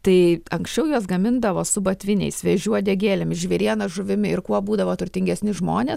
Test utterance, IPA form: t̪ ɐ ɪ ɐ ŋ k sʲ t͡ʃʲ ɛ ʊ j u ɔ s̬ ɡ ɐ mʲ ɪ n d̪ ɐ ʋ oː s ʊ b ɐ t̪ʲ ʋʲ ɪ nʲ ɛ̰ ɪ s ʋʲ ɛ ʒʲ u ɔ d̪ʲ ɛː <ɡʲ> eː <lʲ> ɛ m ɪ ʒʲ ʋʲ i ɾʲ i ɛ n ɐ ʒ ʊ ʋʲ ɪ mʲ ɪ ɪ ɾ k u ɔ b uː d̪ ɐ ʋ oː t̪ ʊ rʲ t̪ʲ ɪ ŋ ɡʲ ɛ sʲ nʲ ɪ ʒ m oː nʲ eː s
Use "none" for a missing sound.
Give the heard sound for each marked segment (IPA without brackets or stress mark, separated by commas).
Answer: ɡʲ, lʲ